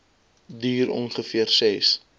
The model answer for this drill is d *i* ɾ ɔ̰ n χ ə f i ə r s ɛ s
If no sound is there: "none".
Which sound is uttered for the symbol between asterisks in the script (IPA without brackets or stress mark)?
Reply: iː